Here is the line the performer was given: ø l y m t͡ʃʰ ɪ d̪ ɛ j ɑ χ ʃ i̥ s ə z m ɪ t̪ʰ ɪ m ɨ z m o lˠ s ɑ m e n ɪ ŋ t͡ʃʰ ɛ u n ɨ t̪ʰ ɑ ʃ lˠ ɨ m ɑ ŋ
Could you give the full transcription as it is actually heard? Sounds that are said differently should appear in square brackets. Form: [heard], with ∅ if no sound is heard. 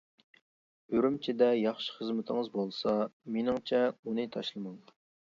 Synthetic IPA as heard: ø [ɾ] y m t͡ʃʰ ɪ d̪ ɛ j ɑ χ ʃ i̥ [χ] ə z m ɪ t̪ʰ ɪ [ŋ] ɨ z [b] o lˠ s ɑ m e n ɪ ŋ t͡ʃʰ ɛ u n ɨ t̪ʰ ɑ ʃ lˠ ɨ m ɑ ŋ